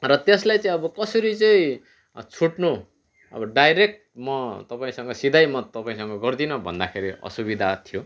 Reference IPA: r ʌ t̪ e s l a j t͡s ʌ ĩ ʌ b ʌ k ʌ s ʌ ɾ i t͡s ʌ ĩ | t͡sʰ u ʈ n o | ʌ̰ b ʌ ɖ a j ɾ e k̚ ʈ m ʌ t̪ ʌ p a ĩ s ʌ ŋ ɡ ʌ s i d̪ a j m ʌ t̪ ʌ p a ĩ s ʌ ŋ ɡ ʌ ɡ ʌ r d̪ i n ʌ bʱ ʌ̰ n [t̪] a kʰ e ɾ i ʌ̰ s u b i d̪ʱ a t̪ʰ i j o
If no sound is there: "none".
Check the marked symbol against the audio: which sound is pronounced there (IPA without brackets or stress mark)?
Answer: d̪